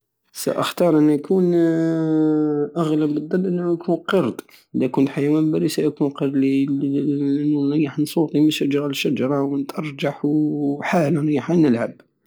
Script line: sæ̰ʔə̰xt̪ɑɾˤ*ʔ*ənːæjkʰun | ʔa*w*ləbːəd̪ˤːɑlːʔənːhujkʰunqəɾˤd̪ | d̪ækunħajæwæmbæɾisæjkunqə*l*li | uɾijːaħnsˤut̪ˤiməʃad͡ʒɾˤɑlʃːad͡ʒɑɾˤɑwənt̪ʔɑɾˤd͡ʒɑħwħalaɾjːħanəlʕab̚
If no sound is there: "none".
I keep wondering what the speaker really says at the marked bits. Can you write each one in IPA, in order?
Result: ʔ, ɣ, ɾ

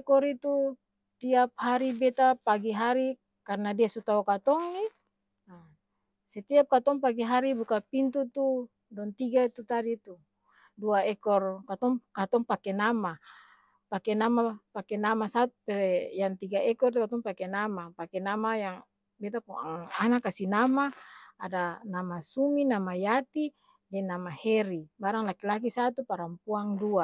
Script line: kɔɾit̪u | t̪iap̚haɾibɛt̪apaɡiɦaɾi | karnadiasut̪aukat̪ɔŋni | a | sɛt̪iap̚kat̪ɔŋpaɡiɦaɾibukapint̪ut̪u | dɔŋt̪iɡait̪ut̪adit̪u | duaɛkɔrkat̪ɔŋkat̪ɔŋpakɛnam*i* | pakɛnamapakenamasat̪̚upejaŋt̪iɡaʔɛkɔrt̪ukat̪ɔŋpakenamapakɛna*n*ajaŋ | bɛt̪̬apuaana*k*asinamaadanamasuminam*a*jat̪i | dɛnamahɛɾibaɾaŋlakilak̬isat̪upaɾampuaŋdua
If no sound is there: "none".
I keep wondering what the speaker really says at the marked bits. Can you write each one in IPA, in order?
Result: a, m, k, a

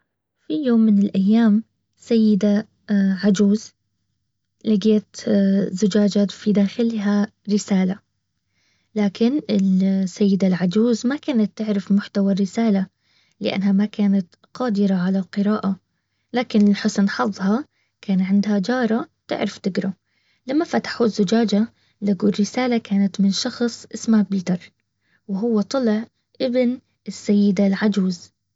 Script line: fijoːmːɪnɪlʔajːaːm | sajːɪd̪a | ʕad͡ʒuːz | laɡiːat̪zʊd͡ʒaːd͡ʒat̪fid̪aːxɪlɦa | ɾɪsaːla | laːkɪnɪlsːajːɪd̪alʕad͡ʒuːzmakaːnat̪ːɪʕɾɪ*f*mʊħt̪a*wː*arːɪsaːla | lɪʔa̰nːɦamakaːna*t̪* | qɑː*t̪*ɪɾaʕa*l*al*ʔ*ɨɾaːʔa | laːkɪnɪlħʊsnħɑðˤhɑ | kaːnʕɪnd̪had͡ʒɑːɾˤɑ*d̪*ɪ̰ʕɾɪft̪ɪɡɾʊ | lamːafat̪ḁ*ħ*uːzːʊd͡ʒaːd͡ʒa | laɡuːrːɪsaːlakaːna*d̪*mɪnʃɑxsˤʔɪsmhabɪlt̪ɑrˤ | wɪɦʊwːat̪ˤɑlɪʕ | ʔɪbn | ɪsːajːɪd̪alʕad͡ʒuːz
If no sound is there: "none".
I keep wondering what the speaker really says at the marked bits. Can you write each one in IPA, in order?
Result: f, w, t̪, d̪, l, q, t̪, ħ, t̪

